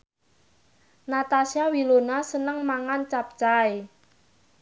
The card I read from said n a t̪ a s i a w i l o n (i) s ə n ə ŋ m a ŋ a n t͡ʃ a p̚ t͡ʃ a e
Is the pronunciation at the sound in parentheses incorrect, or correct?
incorrect